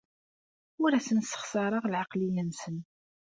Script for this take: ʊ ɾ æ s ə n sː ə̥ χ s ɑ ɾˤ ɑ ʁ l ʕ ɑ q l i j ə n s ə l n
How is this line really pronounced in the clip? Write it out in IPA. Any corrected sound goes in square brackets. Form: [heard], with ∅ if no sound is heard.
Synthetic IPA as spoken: ʊ ɾ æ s ə n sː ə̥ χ s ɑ ɾˤ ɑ ʁ l ʕ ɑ q l i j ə n s ə [∅] n